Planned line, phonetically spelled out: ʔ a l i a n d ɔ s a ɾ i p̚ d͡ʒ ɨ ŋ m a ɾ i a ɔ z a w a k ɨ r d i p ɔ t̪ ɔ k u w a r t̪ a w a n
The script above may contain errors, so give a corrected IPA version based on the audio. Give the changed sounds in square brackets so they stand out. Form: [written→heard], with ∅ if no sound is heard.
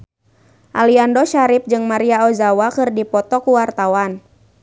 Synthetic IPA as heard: ʔ a l i a n d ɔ [s→ʃ] a ɾ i p̚ d͡ʒ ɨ ŋ m a ɾ i a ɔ z a w a k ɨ r d i p ɔ t̪ ɔ k u w a r t̪ a w a n